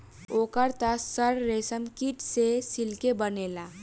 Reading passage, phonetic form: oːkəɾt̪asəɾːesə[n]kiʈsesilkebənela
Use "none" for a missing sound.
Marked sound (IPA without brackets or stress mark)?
m